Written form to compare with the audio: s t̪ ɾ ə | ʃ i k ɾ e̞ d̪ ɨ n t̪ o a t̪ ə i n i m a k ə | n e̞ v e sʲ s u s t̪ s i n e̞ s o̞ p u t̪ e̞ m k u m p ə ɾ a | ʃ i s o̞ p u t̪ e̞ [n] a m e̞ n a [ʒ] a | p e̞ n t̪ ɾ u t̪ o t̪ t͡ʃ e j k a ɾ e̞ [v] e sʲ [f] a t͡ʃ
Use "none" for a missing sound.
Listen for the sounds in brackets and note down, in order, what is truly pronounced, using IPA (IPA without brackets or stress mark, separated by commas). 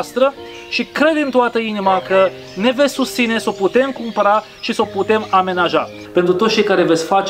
m, ʒ, v, f